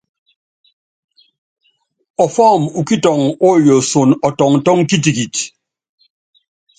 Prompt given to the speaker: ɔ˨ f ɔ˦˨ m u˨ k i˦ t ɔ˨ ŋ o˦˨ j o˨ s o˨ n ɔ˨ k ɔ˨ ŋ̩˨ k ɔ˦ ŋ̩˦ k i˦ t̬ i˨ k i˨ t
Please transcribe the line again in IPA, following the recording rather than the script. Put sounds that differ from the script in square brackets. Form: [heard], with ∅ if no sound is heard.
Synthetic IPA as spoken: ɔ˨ f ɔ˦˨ m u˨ k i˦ t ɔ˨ ŋ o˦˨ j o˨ s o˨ n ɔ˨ [t] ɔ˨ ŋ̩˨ [t] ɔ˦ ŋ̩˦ k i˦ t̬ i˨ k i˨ t